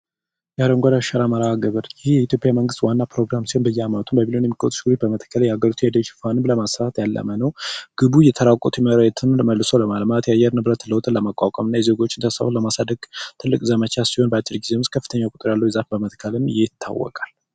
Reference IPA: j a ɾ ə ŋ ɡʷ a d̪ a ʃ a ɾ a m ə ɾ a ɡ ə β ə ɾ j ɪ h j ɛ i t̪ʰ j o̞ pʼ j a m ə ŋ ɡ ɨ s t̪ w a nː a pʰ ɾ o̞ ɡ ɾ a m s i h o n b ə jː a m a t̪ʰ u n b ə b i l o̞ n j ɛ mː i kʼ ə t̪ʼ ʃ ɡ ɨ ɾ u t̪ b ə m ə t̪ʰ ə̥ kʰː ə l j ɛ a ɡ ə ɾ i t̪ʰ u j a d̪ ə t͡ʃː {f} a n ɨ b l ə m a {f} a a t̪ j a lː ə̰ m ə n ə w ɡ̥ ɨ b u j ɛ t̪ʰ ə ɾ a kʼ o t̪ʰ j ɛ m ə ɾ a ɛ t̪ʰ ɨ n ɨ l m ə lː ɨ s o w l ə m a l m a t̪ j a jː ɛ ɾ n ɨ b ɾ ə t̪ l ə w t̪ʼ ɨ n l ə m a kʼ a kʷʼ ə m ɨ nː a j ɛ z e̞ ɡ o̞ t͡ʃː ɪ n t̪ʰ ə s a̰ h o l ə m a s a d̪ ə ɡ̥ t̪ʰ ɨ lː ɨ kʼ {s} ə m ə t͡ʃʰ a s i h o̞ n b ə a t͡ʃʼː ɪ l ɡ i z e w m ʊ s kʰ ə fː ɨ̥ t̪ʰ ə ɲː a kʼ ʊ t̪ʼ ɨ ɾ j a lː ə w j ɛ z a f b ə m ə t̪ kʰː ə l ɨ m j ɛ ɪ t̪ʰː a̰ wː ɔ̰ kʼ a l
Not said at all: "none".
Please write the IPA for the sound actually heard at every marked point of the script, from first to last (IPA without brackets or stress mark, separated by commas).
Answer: f, s, z